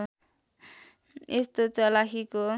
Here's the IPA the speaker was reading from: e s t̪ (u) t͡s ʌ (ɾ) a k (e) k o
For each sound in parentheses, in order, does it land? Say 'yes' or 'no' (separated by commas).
no, no, no